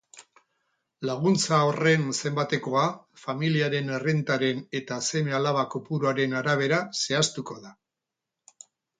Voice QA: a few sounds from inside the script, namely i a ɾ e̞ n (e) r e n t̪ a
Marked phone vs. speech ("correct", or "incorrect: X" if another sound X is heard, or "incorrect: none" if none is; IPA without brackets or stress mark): correct